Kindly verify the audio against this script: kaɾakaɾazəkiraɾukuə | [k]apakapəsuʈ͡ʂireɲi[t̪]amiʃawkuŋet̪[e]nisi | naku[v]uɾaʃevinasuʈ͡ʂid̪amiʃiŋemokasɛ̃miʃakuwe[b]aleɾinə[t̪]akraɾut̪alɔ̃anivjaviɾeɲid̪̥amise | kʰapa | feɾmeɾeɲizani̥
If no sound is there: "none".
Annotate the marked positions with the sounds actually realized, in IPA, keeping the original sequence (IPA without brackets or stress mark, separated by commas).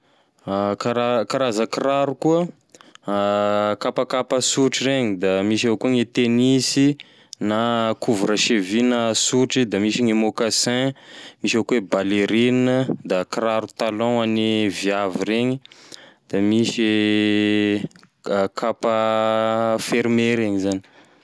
k, d̪, e, v, b, d̪